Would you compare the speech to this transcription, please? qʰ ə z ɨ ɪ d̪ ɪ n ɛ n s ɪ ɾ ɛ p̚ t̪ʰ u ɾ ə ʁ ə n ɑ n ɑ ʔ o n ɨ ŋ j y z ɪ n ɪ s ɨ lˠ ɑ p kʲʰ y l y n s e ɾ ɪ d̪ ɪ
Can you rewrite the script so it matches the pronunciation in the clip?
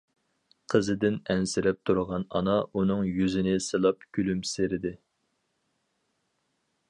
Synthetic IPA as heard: qʰ ə z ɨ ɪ d̪ ɪ n ɛ n s ɪ ɾ ɛ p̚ t̪ʰ u ɾ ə ʁ ɑ n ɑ n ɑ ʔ u n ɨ ŋ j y z ɪ n ɪ s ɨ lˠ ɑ p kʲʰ y l y m s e ɾ ɪ d̪ ɪ